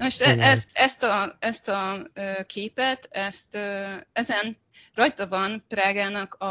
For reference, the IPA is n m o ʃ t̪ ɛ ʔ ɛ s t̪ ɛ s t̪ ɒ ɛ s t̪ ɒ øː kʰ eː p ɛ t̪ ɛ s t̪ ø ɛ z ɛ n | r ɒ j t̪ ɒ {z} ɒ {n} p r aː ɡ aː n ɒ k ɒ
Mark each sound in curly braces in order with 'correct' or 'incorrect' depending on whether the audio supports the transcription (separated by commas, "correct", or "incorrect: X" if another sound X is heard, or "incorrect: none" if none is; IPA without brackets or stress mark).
incorrect: v, correct